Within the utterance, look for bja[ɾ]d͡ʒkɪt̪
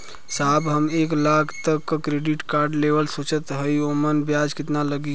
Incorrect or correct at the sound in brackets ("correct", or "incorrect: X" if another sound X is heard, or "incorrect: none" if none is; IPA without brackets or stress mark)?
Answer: incorrect: none